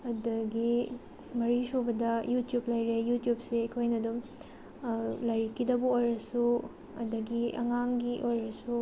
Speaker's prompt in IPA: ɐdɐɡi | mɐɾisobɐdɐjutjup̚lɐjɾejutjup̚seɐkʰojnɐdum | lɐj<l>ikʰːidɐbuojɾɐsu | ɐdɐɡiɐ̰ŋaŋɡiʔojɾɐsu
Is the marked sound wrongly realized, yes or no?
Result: yes